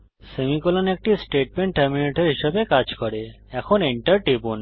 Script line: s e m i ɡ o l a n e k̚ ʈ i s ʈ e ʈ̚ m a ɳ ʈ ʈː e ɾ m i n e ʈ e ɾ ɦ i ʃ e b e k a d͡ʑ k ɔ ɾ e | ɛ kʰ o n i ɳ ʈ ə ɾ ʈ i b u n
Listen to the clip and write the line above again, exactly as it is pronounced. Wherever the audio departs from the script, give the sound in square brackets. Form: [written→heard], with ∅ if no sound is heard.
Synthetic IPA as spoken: s e m i [ɡ→k] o l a n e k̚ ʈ i s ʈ e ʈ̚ m [a→e] ɳ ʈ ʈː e ɾ m i n e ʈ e ɾ ɦ i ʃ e b e k a d͡ʑ k ɔ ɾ e | ɛ kʰ o n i ɳ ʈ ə ɾ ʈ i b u n